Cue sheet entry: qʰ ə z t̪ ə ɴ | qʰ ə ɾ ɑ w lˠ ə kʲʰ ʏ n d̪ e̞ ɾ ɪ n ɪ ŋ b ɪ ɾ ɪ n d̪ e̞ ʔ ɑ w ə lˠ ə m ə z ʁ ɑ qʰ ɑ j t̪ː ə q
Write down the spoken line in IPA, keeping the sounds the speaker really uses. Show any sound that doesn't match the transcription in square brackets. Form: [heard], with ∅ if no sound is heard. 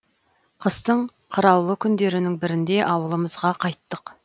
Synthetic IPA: qʰ ə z t̪ ə ɴ | qʰ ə ɾ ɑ w lˠ ə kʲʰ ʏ n d̪ e̞ ɾ ɪ n ɪ ŋ b ɪ ɾ ɪ n d̪ e̞ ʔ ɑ w ə lˠ ə m ə z ʁ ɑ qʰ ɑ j t̪ː ə q